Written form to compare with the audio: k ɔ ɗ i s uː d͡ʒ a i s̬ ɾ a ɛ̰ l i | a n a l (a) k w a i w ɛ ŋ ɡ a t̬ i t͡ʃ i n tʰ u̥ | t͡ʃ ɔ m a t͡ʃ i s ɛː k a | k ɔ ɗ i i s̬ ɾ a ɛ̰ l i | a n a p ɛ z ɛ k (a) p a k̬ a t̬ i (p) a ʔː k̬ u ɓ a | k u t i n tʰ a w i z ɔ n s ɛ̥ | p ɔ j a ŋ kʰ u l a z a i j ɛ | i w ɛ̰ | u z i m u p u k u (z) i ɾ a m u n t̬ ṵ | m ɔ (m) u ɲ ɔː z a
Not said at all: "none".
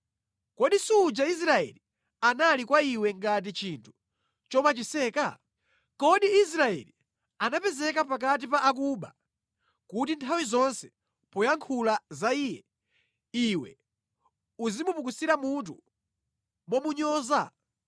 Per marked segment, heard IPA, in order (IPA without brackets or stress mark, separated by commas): i, a, p, s, m